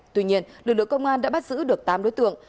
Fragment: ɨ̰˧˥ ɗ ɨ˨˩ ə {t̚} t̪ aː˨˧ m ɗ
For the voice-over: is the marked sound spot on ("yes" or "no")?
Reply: no